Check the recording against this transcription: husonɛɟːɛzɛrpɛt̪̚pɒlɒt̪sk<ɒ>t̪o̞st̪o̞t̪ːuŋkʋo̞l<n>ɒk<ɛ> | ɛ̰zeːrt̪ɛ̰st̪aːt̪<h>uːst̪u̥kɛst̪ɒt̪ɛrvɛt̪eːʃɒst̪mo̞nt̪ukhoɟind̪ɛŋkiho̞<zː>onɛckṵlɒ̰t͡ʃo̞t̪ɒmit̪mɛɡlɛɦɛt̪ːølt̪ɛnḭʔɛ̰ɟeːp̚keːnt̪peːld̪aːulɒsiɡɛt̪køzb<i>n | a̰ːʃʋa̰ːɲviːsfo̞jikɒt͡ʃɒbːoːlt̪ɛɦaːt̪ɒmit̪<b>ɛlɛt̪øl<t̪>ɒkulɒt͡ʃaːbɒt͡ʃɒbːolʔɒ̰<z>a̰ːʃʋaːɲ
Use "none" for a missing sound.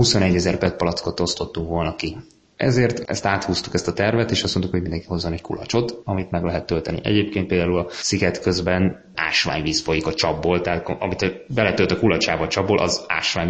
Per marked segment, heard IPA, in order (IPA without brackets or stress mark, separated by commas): o, n, i, h, zː, ɛ, b, t̪, z